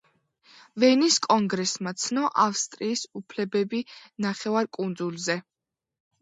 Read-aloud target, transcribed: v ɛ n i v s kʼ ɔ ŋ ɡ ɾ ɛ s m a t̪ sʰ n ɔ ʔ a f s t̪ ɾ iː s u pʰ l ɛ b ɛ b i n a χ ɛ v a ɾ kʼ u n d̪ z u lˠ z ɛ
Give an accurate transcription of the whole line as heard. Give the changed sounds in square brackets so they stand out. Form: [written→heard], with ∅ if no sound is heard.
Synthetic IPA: v ɛ n i [v→∅] s kʼ ɔ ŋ ɡ ɾ ɛ s m a t̪ sʰ n ɔ ʔ a f s [t̪→t̪ʼ] ɾ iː s u pʰ l ɛ b ɛ b i n a χ ɛ v a ɾ kʼ u n d̪ z u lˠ z ɛ